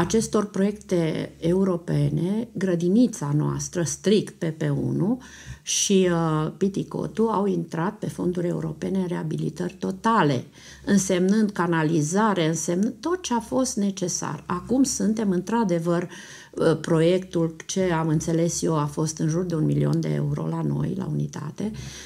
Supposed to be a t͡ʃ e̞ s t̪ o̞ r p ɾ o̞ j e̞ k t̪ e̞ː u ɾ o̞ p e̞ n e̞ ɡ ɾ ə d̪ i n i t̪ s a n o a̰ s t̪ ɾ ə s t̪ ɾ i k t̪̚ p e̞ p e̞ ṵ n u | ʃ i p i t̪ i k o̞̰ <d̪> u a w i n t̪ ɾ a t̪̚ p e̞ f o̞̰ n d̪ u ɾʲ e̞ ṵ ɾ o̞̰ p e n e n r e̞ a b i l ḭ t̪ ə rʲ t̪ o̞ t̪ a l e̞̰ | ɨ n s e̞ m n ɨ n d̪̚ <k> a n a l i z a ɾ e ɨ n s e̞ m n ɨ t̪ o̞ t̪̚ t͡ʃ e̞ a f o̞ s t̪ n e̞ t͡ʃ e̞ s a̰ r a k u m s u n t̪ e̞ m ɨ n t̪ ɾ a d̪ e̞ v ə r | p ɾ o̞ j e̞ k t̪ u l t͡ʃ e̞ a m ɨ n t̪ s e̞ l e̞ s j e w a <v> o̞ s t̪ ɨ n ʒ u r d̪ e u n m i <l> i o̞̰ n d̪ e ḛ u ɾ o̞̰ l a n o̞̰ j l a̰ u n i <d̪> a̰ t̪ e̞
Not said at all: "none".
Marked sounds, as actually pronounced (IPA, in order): t̪, k, f, l, t̪

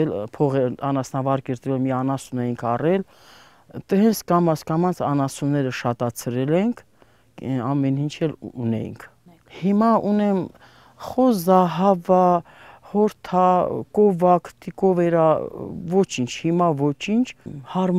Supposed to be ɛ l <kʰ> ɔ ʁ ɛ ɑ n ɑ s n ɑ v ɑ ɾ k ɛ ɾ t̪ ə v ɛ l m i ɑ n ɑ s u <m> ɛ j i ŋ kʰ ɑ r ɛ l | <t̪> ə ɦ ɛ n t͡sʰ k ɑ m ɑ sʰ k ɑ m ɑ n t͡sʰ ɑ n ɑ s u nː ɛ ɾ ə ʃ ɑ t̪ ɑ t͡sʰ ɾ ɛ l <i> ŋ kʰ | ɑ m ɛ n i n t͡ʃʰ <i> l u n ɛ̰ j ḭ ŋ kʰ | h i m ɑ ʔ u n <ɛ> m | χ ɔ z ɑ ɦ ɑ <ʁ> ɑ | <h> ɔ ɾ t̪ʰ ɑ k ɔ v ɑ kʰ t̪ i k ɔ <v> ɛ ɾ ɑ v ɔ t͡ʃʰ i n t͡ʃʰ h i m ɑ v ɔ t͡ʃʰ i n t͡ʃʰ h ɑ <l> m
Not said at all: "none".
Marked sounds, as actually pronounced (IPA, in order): pʰ, n, t̪, ɛ, ɛ, ɛ, v, h, v, ɾ

